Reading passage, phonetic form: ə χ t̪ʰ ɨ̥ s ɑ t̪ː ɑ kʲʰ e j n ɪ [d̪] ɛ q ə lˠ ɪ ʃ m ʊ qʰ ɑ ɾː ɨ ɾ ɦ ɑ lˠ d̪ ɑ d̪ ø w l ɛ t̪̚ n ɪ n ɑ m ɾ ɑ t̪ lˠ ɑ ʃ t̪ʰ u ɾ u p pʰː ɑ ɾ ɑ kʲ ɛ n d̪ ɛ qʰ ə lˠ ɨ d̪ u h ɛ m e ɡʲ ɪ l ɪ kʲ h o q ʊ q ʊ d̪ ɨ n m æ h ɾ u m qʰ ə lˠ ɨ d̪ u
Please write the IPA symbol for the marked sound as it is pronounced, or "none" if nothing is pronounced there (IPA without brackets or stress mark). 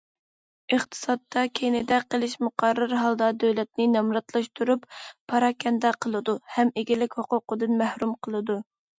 d̪